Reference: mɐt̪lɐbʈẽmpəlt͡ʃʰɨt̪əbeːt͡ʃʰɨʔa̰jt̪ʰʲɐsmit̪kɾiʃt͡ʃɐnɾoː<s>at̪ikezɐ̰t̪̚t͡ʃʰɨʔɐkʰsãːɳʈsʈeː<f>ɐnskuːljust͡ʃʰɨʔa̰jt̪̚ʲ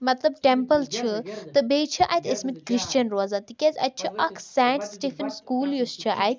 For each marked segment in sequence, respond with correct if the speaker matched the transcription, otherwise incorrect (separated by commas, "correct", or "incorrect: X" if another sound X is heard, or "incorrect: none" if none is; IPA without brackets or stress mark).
incorrect: z, correct